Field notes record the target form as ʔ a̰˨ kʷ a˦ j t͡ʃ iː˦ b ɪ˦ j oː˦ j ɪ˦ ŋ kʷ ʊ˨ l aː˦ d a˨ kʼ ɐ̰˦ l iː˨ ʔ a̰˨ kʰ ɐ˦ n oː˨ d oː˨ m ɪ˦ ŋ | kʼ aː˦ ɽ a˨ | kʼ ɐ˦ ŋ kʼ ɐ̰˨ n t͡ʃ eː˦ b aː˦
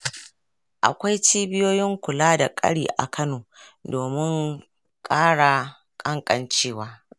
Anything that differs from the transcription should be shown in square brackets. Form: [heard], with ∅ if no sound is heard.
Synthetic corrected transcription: ʔ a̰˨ kʷ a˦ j t͡ʃ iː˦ b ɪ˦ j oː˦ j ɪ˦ ŋ kʷ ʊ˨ l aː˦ d a˨ kʼ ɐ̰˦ [ɽ] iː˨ ʔ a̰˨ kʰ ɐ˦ n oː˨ d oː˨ m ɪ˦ ŋ | kʼ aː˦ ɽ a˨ | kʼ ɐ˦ ŋ kʼ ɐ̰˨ n t͡ʃ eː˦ [w] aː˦